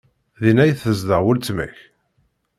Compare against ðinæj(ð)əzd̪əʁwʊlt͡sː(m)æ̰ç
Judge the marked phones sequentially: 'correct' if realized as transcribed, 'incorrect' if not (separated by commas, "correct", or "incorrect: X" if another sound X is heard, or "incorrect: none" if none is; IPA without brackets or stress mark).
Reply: incorrect: θ, correct